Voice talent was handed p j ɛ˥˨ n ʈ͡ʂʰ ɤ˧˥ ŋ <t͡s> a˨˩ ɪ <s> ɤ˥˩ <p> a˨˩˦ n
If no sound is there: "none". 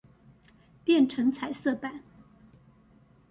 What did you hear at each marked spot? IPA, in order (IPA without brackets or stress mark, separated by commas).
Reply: t͡sʰ, s, p